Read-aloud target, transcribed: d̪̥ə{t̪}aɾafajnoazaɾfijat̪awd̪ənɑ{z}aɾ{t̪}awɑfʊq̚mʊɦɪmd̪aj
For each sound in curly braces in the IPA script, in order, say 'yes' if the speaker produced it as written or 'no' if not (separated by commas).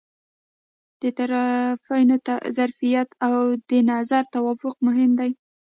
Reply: yes, yes, yes